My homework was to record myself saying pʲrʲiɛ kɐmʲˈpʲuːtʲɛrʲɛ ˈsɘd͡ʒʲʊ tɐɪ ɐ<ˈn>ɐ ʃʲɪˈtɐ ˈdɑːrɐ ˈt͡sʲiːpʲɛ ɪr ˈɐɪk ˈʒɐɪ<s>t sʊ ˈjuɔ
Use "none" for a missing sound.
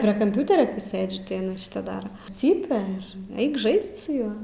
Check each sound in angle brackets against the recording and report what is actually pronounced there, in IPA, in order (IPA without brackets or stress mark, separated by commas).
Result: n, s